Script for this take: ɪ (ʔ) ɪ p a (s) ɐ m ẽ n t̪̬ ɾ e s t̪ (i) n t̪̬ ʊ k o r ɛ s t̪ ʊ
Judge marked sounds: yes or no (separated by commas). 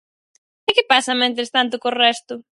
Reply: no, yes, no